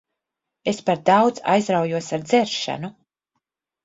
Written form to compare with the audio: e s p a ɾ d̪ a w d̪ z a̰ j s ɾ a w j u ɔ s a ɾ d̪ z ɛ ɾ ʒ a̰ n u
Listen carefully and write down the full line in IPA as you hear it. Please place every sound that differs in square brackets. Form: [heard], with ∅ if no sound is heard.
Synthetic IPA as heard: e s p a ɾ d̪ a w d̪ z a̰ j [z] ɾ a w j u ɔ s a ɾ d̪ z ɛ ɾ [ʃ] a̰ n u